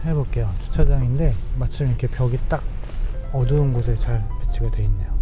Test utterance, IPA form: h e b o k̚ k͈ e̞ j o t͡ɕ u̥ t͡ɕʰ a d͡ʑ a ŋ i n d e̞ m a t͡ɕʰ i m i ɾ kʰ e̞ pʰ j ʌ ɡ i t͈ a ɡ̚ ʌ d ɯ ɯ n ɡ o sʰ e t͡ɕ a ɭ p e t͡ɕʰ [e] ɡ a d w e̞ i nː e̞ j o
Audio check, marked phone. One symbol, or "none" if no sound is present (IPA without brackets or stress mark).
i